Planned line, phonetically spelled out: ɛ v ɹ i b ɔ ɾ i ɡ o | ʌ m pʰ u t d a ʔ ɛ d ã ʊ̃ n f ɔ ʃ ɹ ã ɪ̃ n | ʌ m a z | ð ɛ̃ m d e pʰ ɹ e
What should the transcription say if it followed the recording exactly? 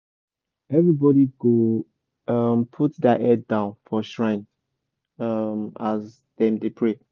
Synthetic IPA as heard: ɛ v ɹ i b ɔ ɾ i ɡ o | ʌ m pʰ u t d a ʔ ɛ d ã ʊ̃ n f ɔ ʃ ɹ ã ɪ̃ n | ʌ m a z | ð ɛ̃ m d e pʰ ɹ e